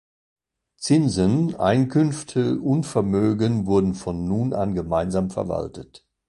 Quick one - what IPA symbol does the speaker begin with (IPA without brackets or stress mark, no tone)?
t͡s